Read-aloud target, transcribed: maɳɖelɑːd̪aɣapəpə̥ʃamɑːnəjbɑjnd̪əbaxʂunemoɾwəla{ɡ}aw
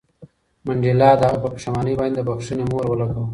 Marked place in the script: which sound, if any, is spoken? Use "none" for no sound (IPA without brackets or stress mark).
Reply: ɡ